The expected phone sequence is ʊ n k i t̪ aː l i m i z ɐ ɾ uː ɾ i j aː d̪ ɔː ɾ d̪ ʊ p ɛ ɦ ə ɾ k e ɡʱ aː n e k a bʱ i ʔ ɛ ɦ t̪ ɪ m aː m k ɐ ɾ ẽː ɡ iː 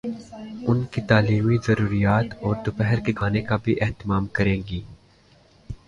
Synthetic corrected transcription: ʊ n k i t̪ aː l iː m i z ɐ ɾ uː ɾ i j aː t̪ ɔː ɾ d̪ ʊ p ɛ ɦ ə ɾ k e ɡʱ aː n e k a bʱ i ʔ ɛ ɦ t̪ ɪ m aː m k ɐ ɾ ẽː ɡ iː